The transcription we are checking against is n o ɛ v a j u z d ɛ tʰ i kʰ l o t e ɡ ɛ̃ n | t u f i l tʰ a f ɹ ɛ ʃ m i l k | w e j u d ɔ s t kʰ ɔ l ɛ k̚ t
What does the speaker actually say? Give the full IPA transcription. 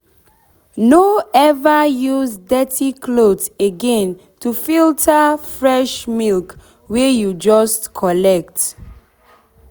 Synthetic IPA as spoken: n o ɛ v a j u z d ɛ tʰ i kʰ l o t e ɡ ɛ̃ n | t u f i l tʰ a f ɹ ɛ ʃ m i l k | w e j u d͡ʒ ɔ s t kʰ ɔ l ɛ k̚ t

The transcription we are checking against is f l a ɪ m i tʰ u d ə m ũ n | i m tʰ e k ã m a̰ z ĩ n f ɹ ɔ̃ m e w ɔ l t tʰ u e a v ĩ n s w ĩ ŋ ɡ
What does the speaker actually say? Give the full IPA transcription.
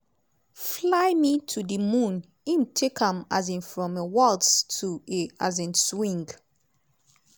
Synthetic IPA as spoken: f l a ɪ m i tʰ u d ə m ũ n | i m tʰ e k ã m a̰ z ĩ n f ɹ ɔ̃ m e w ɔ l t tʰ u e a z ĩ n s w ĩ ŋ ɡ

